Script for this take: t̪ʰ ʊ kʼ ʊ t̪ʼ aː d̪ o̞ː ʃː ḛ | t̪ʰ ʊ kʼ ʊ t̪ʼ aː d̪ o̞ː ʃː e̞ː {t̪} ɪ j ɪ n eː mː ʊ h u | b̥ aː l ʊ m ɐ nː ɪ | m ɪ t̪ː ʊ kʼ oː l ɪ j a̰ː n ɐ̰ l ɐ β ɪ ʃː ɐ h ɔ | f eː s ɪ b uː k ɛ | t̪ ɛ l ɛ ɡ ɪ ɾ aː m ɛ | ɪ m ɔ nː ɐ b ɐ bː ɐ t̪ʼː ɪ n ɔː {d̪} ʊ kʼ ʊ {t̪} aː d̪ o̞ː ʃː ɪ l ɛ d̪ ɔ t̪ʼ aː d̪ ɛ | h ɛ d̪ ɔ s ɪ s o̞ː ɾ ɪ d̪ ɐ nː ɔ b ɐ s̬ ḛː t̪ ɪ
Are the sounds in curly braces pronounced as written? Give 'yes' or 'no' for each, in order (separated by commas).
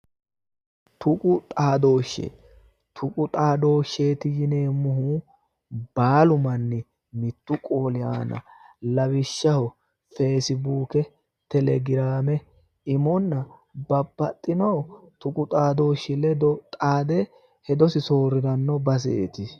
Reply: yes, no, no